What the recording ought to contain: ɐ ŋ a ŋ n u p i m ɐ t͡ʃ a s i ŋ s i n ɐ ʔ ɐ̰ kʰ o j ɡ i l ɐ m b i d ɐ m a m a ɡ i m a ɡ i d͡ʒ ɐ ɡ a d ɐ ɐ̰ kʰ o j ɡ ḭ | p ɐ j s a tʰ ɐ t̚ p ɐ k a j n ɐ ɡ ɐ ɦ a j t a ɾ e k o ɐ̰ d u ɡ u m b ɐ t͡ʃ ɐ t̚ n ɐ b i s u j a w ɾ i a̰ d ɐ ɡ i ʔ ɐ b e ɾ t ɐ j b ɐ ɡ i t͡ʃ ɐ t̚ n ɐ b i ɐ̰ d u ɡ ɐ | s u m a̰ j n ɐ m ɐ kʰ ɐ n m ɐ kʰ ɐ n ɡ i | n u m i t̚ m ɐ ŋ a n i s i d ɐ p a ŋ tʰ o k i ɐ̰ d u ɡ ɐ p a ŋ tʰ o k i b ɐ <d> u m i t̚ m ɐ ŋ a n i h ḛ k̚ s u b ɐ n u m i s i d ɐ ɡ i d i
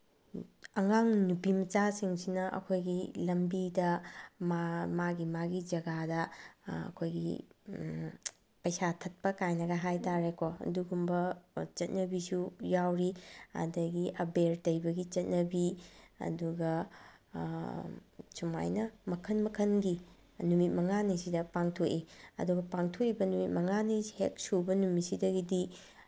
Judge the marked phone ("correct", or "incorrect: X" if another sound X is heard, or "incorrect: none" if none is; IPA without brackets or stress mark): incorrect: n